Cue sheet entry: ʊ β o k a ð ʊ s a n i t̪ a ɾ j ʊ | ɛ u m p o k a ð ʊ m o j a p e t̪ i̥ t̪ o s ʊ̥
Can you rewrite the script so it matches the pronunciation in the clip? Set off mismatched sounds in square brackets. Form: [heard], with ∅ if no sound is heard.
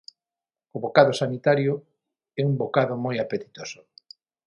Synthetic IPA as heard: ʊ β o k a ð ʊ s a n i t̪ a ɾ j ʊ | ɛ u m [b] o k a ð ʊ m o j a p e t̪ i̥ t̪ o s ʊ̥